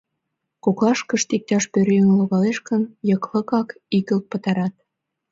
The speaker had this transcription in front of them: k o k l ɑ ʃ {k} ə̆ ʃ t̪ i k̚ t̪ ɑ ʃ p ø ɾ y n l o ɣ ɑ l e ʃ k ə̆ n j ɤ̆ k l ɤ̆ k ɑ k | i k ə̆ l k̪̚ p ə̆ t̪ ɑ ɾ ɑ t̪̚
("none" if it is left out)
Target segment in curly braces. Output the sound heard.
k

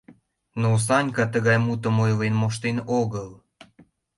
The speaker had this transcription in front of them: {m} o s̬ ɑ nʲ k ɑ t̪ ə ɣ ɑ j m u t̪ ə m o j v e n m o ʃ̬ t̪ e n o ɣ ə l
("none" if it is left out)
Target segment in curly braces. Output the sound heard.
n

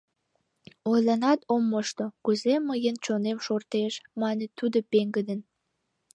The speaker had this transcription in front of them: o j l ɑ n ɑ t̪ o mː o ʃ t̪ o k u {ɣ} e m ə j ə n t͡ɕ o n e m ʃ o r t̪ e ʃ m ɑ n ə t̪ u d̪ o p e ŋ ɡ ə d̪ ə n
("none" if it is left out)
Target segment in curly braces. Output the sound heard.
z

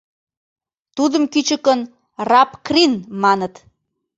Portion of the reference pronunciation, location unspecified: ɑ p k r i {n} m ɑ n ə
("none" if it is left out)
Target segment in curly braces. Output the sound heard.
n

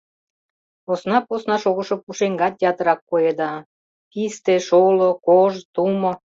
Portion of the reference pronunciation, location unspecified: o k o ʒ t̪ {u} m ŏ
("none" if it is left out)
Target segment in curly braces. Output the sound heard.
u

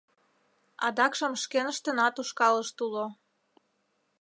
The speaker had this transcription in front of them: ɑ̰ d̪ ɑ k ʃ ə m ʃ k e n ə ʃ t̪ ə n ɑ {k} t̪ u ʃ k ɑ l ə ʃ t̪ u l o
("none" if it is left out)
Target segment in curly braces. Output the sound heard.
none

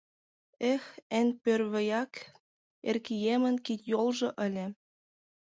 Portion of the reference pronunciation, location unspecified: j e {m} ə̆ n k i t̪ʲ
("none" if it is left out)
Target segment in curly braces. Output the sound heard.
m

